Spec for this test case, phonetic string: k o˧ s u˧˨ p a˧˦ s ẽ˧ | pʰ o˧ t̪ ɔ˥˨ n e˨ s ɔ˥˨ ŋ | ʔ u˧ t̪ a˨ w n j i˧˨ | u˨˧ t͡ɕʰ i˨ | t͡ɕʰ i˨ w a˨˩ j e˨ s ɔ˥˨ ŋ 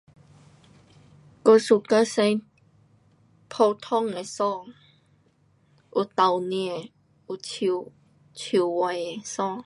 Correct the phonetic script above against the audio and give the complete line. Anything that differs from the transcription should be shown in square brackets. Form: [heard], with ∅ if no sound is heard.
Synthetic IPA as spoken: k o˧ s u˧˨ [k] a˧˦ s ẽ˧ | pʰ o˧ [t̪ʰ] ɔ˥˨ [ŋ] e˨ s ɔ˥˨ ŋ | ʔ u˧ t̪ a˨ w n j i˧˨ | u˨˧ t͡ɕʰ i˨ | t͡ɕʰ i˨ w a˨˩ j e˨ s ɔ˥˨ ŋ